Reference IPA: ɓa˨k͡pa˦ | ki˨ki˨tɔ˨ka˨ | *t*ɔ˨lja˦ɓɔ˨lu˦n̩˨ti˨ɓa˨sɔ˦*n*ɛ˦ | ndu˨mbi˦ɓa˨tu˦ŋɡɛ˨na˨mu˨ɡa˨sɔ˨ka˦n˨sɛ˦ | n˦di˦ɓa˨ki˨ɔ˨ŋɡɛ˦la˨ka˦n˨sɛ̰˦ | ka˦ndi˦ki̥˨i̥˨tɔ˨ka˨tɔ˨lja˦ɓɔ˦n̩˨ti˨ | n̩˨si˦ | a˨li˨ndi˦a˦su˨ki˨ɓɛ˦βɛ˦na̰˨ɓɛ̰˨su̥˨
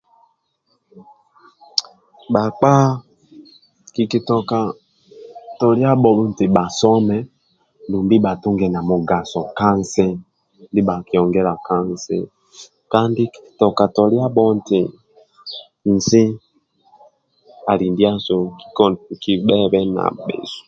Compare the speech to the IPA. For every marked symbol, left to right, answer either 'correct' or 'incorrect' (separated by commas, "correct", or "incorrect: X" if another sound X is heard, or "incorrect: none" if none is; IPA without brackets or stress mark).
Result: correct, incorrect: m